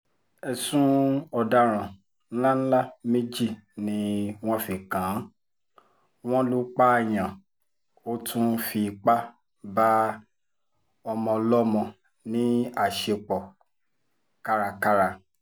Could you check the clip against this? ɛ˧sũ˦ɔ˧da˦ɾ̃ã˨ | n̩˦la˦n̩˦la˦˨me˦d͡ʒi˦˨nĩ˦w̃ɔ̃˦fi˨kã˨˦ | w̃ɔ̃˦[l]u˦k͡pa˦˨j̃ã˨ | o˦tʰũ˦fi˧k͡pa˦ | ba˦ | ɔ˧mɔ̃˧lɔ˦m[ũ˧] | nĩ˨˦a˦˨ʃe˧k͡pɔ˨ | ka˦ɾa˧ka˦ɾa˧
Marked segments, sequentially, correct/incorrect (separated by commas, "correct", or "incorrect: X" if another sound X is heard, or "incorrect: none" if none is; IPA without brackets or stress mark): correct, incorrect: ɔ̃˧